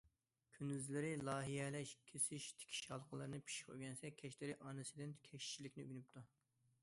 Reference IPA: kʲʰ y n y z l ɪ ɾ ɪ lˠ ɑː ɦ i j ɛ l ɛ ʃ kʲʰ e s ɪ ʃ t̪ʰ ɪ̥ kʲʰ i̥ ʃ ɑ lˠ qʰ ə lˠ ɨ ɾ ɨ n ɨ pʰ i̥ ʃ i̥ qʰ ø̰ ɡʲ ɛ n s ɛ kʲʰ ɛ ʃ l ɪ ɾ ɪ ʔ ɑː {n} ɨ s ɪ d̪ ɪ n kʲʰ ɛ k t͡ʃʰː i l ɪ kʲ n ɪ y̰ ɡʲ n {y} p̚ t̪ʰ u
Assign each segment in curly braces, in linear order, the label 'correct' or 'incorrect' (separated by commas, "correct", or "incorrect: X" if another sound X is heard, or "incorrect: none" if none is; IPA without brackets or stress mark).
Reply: correct, correct